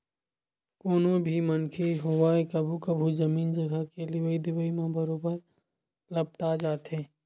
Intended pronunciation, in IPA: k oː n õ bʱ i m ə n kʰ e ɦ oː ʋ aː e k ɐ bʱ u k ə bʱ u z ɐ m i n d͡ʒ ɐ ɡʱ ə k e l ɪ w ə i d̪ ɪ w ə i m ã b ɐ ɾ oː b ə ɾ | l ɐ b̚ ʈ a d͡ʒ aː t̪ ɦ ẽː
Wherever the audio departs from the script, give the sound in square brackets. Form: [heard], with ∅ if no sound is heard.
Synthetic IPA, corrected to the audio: k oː n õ bʱ i m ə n kʰ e ɦ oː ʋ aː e k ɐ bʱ u k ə bʱ u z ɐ m [iː] n d͡ʒ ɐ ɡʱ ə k e l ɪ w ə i d̪ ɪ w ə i m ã b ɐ ɾ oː b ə ɾ | l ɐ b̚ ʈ a d͡ʒ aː t̪ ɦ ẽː